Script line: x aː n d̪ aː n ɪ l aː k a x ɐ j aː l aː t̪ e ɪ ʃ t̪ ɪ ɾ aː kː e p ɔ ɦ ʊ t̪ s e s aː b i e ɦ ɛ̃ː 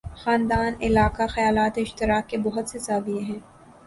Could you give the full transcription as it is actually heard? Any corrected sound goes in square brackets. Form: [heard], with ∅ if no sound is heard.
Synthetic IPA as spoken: x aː n d̪ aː n ɪ l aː k a x ɐ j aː l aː t̪ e ɪ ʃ t̪ ɪ ɾ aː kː e [b] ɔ ɦ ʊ t̪ s e s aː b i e ɦ ɛ̃ː